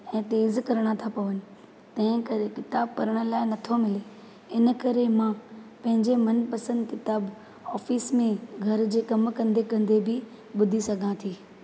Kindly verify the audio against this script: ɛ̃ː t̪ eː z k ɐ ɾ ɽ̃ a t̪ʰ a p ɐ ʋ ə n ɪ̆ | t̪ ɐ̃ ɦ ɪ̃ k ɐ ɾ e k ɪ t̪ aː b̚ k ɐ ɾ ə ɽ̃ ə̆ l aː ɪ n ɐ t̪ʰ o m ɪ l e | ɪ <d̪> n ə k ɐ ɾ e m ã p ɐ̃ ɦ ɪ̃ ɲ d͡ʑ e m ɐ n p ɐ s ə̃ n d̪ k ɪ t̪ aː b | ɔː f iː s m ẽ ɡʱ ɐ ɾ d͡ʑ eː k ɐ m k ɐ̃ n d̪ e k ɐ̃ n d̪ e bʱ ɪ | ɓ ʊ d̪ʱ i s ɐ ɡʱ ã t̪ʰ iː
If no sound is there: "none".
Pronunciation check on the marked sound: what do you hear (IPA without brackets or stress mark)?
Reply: none